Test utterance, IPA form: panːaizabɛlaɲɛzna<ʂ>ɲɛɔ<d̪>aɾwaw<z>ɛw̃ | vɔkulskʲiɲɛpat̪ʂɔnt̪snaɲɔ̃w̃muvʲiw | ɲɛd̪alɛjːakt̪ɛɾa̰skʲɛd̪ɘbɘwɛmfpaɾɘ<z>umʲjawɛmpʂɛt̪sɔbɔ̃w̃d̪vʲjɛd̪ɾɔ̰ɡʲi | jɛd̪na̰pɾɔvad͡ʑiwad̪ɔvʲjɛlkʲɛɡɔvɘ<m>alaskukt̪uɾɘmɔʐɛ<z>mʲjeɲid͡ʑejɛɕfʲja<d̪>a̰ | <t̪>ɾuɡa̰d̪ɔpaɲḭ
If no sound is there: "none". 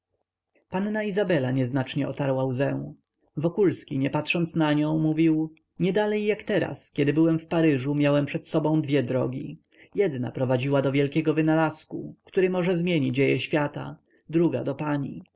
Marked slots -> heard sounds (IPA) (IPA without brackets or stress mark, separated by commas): t͡ʂ, t̪, z, ʐ, n, z, t̪, d̪